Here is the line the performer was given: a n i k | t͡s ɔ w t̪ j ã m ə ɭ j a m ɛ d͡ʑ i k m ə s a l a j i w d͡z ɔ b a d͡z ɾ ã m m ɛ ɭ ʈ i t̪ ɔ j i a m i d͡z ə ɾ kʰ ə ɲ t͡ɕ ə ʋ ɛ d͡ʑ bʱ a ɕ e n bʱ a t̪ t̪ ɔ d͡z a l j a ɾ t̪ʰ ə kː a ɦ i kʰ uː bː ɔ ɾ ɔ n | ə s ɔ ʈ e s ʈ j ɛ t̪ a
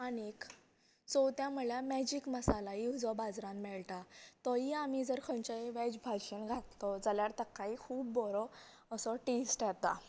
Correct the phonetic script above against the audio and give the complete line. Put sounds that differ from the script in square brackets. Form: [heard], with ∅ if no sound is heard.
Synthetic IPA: a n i k | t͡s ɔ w t̪ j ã m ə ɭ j a m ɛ d͡ʑ i k m ə s a l a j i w d͡z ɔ b a d͡z ɾ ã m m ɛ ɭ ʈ [a] t̪ ɔ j i a m i d͡z ə ɾ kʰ ə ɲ t͡ɕ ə ʋ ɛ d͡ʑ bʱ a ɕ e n [ɡʱ] a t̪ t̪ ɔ d͡z a l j a ɾ [t̪] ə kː a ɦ i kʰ uː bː ɔ ɾ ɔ [∅] | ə s ɔ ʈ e s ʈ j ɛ t̪ a

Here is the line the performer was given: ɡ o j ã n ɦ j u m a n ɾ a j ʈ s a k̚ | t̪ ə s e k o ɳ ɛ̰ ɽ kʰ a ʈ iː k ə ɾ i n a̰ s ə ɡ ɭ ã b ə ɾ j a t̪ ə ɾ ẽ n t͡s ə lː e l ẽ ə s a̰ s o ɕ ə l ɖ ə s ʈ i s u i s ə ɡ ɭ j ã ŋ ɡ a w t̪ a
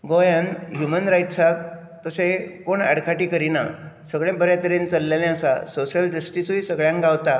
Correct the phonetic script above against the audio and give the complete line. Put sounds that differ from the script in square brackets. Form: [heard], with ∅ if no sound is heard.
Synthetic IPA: ɡ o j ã n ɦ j u m [ə] n ɾ a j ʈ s a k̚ | t̪ ə s e k o ɳ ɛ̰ ɽ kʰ a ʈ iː k ə ɾ i n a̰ s ə ɡ ɭ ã b ə ɾ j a t̪ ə ɾ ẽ n t͡s ə lː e l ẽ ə s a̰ s o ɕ ə l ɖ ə s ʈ i s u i s ə ɡ ɭ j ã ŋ ɡ a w t̪ a

